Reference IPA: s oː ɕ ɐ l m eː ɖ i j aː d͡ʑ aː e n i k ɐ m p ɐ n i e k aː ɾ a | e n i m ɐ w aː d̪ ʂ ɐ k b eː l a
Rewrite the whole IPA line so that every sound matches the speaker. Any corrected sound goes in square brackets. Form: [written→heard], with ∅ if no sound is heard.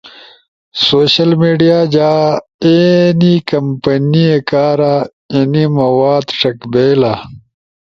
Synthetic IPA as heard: s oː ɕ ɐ l m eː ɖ i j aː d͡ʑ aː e n i k ɐ m p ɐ n i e k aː ɾ a | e n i m ɐ w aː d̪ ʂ ɐ k b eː l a